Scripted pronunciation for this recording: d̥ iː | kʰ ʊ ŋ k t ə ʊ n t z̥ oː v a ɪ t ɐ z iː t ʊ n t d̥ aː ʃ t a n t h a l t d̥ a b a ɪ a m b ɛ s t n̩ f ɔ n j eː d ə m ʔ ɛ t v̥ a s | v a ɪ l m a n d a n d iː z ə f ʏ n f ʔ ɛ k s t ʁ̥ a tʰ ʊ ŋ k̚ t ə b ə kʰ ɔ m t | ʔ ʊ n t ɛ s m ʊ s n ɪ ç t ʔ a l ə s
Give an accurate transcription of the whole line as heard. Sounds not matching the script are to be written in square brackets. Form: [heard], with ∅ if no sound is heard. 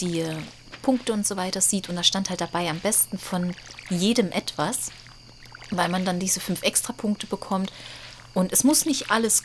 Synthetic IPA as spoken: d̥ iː | [pʰ] ʊ ŋ k t ə ʊ n t z̥ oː v a ɪ t ɐ z iː t ʊ n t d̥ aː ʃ t a n t h a l t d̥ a b a ɪ a m b ɛ s t n̩ f ɔ n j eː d ə m ʔ ɛ t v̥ a s | v a ɪ l m a n d a n d iː z ə f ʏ n f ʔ ɛ k s t ʁ̥ a [pʰ] ʊ ŋ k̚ t ə b ə kʰ ɔ m t | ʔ ʊ n t ɛ s m ʊ s n ɪ ç t ʔ a l ə s